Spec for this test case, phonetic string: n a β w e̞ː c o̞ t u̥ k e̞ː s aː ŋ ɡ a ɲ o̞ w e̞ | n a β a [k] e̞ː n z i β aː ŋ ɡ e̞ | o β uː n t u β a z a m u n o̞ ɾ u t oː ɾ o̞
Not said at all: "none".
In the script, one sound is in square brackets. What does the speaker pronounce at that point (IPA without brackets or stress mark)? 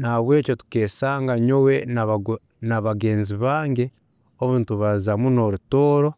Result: ɡ